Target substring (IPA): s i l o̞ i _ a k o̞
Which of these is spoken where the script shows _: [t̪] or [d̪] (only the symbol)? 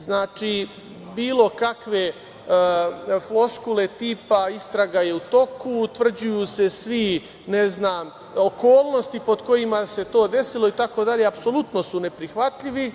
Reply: t̪